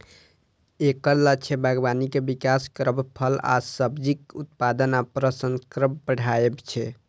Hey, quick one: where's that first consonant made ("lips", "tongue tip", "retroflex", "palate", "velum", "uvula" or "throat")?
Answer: velum